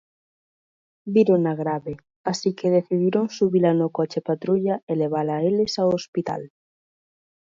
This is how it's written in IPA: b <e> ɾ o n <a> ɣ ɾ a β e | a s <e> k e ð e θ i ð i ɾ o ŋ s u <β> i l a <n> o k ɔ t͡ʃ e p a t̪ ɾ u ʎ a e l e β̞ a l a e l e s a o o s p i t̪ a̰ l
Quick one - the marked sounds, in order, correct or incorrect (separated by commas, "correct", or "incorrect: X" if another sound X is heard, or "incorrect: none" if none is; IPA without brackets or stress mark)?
incorrect: i, correct, incorrect: i, correct, correct